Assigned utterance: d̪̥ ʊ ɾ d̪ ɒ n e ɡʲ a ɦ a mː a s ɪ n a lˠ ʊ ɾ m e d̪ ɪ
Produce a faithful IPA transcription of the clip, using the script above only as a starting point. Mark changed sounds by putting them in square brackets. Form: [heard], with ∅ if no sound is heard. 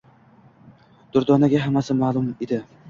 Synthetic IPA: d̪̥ ʊ ɾ d̪ ɒ n [a] ɡʲ a ɦ a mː a s ɪ [m] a lˠ ʊ [∅] m e d̪ ɪ